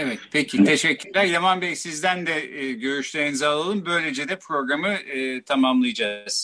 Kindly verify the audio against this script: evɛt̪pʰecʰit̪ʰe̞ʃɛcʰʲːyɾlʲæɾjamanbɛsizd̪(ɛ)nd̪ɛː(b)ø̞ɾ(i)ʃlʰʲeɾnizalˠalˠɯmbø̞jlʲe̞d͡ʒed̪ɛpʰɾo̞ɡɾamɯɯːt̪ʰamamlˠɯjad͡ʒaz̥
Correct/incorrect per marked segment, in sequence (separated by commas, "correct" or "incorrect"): incorrect, incorrect, incorrect